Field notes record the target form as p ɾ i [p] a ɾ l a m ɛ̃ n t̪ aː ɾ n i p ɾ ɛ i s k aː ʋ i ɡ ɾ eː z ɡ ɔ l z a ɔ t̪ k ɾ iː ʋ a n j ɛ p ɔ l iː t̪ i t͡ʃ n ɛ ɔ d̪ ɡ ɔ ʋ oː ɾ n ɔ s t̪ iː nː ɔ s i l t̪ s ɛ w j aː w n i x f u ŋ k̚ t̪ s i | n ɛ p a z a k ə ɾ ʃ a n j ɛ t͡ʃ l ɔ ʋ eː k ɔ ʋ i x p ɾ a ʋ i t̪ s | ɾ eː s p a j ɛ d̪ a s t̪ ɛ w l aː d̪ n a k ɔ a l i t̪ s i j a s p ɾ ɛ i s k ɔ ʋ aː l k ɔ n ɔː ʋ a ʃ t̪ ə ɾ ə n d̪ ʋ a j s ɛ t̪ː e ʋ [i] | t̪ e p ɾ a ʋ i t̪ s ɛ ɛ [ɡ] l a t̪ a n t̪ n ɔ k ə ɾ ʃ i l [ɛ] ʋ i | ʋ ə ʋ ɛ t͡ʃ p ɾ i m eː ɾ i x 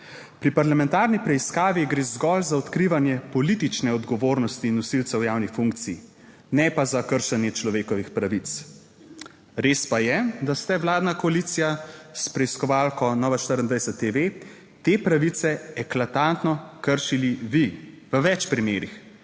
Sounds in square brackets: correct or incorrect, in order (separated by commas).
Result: correct, incorrect, incorrect, incorrect